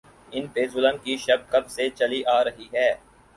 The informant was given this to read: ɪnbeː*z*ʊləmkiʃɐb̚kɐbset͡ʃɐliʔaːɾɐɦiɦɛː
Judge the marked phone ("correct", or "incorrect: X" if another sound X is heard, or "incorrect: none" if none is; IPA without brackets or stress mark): correct